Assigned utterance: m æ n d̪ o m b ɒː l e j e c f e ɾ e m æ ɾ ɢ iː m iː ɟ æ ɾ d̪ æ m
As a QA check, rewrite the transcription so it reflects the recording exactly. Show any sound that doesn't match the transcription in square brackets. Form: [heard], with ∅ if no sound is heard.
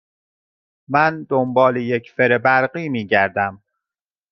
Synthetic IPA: m æ n d̪ o m b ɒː l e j e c f e ɾ e [b] æ ɾ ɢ iː m iː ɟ æ ɾ d̪ æ m

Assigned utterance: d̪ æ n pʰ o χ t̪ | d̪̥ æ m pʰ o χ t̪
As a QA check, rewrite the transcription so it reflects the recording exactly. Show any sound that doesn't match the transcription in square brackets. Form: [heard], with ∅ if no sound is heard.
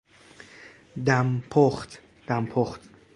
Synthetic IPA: d̪ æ [m] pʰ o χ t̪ | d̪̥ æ m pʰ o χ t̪

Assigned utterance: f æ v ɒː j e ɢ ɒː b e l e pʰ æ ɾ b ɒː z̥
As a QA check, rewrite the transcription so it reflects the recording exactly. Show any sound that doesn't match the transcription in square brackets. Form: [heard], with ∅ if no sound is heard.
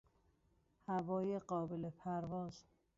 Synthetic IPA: [h] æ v ɒː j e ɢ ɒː b e l e pʰ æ ɾ [v] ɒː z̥

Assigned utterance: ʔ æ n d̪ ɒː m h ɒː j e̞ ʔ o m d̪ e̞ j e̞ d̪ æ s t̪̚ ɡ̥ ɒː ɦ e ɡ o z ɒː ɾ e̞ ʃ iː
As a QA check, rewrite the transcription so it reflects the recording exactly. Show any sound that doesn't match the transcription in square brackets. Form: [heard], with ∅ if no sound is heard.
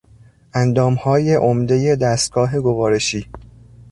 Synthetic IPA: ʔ æ n d̪ ɒː m h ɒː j e̞ ʔ o m d̪ e̞ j e̞ d̪ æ s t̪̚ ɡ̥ ɒː ɦ e ɡ o [v] ɒː ɾ e̞ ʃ iː

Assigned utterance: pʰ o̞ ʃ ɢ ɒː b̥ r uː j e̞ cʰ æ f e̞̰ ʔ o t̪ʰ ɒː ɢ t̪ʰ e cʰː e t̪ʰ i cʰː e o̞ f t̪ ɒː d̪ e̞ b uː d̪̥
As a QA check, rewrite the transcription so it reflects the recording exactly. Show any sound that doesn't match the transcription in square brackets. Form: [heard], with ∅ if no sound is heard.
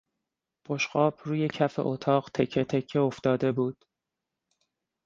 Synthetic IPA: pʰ o̞ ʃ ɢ ɒː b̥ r uː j e̞ cʰ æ f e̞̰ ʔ o t̪ʰ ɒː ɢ t̪ʰ e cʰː e t̪ʰ [e] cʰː e o̞ f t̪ ɒː d̪ e̞ b uː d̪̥

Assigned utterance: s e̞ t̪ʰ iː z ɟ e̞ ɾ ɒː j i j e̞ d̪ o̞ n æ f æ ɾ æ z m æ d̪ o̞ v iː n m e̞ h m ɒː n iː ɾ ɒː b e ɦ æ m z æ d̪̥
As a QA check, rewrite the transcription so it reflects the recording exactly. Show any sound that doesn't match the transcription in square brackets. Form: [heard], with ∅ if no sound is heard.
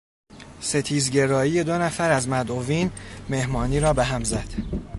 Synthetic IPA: s e̞ t̪ʰ iː z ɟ e̞ ɾ ɒː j i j e̞ d̪ o̞ n æ f æ ɾ æ z m æ d̪ o̞ v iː n m e̞ h m ɒː n iː ɾ ɒː b e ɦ æ m z æ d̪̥

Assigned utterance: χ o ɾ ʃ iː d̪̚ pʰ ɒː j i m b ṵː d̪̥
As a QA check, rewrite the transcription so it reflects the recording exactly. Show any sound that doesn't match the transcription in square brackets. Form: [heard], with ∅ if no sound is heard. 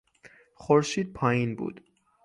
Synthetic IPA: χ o ɾ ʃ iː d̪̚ pʰ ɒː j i [n] b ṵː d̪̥

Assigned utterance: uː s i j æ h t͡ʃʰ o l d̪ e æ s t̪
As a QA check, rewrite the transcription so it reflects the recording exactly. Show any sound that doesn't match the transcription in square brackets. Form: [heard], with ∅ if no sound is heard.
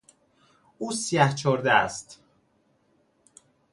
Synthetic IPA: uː s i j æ h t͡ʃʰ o [ɾ] d̪ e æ s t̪

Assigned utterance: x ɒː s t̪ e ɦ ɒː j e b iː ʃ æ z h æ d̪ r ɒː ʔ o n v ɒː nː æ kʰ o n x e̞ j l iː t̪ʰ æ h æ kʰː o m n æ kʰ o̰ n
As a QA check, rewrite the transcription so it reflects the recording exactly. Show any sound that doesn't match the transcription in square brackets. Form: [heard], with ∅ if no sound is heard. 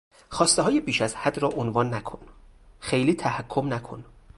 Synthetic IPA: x ɒː s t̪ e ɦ ɒː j e b iː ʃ æ z h æ d̪ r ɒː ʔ o n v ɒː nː æ kʰ o n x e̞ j l iː t̪ʰ æ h æ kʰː o m n æ kʰ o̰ n

